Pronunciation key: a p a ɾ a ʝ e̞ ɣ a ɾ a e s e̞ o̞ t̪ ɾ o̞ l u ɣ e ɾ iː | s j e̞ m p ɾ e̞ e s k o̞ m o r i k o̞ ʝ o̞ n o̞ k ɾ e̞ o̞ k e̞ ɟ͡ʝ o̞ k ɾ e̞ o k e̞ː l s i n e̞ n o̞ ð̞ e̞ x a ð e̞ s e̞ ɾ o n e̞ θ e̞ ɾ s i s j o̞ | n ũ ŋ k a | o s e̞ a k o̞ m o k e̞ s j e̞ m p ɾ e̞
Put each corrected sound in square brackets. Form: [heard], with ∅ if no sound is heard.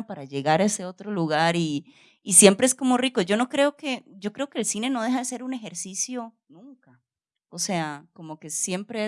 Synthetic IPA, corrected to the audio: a p a ɾ a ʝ e̞ ɣ a ɾ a e s e̞ o̞ t̪ ɾ o̞ l u ɣ [a] ɾ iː | s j e̞ m p ɾ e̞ e s k o̞ m o r i k o̞ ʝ o̞ n o̞ k ɾ e̞ o̞ k e̞ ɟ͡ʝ o̞ k ɾ e̞ o k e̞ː l s i n e̞ n o̞ ð̞ e̞ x a ð e̞ s e̞ ɾ [u] n e̞ [x] e̞ ɾ s i s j o̞ | n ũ ŋ k a | o s e̞ a k o̞ m o k e̞ s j e̞ m p ɾ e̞